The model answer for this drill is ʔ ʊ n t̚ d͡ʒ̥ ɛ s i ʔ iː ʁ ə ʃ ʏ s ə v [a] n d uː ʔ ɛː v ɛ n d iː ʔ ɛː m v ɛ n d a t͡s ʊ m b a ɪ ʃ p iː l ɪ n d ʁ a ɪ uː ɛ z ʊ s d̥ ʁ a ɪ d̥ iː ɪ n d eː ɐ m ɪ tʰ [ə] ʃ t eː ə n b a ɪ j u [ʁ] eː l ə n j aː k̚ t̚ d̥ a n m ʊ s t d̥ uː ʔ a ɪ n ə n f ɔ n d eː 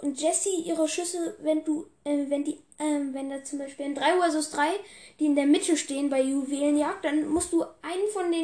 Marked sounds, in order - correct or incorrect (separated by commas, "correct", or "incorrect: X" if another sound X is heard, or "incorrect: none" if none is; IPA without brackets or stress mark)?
incorrect: ɛ, correct, incorrect: v